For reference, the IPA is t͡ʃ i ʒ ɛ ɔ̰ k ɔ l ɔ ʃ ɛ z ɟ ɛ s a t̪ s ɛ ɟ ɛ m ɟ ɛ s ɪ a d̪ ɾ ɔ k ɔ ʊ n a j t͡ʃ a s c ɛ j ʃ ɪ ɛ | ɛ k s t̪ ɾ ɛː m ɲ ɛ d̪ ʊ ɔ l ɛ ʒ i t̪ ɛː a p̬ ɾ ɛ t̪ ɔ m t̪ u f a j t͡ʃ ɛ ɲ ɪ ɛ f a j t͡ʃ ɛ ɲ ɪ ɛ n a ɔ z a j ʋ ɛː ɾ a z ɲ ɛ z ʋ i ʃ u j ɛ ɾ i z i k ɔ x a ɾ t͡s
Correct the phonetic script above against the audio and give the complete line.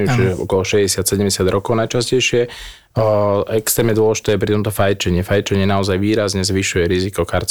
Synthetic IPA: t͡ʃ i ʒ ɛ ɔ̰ k ɔ l ɔ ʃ ɛ z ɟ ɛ s a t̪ s ɛ ɟ ɛ m ɟ ɛ s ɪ a d̪ ɾ ɔ k ɔ ʊ n a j t͡ʃ a s c ɛ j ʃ ɪ ɛ | ɛ k s t̪ ɾ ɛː m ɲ ɛ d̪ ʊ ɔ l ɛ ʒ i t̪ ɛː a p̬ ɾ i t̪ ɔ m t̪ ɔ f a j t͡ʃ ɛ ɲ ɪ ɛ f a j t͡ʃ ɛ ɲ ɪ ɛ n a ɔ z a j ʋ iː ɾ a z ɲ ɛ z ʋ i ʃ u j ɛ ɾ i z i k ɔ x a ɾ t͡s